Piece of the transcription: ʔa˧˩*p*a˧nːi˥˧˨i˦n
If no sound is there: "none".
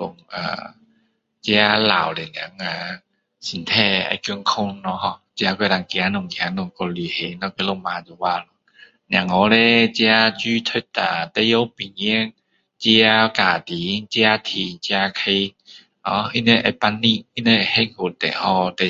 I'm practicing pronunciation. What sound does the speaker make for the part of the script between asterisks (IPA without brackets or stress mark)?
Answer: p